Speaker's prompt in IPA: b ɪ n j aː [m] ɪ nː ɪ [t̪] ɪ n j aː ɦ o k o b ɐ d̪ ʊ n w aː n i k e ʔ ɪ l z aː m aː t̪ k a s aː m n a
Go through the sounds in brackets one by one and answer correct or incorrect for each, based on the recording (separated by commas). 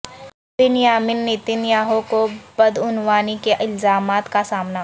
correct, correct